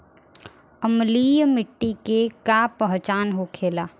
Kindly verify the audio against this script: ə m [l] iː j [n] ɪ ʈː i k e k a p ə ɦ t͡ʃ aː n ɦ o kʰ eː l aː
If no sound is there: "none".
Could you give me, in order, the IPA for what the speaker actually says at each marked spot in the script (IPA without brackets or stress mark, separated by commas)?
l, m